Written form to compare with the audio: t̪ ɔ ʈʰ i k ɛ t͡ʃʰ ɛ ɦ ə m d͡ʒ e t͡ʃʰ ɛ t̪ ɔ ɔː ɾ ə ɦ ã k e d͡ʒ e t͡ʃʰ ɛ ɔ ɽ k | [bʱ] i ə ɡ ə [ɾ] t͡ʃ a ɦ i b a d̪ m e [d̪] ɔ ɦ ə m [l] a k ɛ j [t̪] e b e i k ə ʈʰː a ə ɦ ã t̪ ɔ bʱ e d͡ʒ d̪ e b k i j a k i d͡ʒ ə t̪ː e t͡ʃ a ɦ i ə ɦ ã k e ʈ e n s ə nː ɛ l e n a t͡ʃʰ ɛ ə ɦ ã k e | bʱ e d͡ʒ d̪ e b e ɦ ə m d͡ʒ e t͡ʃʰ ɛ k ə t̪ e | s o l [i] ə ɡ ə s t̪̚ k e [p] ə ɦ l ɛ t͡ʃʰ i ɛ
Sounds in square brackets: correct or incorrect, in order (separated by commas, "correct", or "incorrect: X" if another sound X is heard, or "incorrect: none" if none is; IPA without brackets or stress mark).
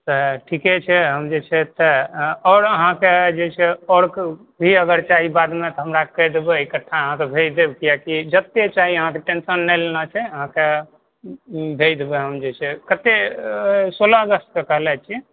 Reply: correct, correct, incorrect: t̪, incorrect: ɾ, incorrect: d̪, incorrect: a, incorrect: k